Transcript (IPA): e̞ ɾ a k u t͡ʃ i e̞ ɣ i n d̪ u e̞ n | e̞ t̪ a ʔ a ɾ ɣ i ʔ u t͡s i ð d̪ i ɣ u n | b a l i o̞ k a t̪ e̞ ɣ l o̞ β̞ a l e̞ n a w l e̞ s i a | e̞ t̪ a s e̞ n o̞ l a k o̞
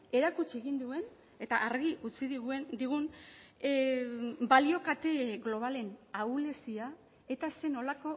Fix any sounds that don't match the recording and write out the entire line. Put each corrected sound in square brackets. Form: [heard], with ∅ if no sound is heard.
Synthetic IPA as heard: e̞ ɾ a k u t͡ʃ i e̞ ɣ i n d̪ u e̞ n | e̞ t̪ a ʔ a ɾ ɣ i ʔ u t͡s i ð d̪ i ɣ u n | b a l i o̞ k a t̪ e̞ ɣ l o̞ β̞ a l e̞ n a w l e̞ s i a | e̞ t̪ a s e̞ n o̞ l a k o̞